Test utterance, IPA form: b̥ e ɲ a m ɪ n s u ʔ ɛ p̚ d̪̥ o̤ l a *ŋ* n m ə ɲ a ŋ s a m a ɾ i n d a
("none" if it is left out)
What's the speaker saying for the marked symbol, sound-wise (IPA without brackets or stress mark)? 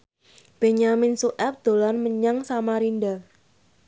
none